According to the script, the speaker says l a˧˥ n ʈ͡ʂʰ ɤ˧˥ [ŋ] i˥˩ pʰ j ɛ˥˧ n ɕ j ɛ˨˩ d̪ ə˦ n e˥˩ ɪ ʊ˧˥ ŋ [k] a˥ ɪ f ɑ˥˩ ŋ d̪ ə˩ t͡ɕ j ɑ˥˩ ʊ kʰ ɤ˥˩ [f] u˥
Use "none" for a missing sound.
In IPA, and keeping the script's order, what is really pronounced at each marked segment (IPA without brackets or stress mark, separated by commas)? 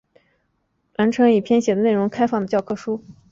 ŋ, kʰ, ʂ